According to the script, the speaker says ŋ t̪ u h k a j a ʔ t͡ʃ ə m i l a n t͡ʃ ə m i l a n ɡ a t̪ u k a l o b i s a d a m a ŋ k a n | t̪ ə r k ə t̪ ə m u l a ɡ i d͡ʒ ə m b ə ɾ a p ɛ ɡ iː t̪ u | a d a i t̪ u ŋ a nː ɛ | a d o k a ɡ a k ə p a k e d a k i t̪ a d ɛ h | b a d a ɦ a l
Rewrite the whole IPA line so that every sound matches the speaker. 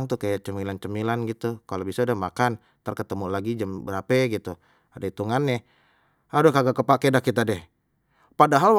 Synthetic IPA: ŋ t̪ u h k a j a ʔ t͡ʃ ə m i l a n t͡ʃ ə m i l a n ɡ i t̪ u k a l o b i s a d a m a k a n | t̪ ə r k ə t̪ ə m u l a ɡ i d͡ʒ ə m b ə ɾ a p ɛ ɡ i t̪ u | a d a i t̪ u ŋ a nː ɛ | a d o k a ɡ a k ə p a k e d a k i t̪ a d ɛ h | p a d a ɦ a l